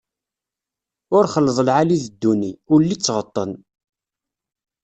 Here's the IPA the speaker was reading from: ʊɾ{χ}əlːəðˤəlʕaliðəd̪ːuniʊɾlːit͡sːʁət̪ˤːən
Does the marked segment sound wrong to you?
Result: no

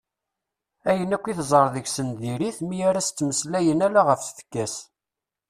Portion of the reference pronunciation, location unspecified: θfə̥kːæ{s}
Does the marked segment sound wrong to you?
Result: no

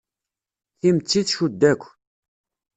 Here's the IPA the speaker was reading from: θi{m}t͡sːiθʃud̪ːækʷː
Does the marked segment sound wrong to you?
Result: no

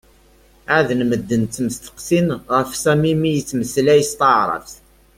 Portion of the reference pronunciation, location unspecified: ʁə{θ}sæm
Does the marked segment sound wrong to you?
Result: yes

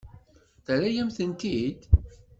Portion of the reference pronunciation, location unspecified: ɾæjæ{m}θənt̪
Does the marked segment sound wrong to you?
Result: no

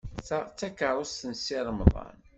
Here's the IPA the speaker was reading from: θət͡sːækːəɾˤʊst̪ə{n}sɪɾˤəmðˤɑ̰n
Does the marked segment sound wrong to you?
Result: no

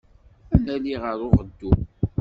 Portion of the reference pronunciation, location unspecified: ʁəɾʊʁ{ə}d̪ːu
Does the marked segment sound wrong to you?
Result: no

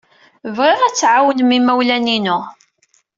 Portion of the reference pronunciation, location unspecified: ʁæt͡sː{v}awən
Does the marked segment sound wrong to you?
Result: yes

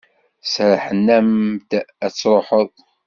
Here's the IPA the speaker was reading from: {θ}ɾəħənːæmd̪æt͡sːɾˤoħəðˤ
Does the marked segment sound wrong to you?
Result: yes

